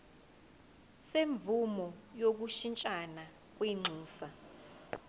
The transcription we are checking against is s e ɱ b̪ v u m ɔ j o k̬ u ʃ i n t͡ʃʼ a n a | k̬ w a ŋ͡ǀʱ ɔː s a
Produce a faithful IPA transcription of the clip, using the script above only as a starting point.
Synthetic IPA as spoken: s e ɱ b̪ v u m ɔ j o k̬ u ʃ i n t͡ʃʼ a n a | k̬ w i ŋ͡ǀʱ uː s a